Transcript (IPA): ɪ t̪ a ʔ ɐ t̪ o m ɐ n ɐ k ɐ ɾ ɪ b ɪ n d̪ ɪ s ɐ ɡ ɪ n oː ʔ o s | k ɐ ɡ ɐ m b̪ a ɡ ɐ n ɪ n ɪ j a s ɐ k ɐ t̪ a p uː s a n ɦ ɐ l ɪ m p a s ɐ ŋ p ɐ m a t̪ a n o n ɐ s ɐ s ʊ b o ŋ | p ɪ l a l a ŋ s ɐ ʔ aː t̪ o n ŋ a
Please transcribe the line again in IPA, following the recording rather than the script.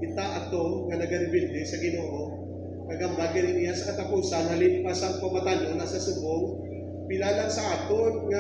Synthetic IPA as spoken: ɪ t̪ a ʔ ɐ t̪ o ŋ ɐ n ɐ ɡ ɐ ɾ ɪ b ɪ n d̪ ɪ s ɐ ɡ ɪ n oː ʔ o | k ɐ ɡ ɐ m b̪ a ɡ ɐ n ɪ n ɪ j a s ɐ k ɐ t̪ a p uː s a n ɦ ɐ l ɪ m p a s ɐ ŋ p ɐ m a t̪ a n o n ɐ s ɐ s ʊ b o ŋ | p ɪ l a l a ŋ s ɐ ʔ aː t̪ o n ŋ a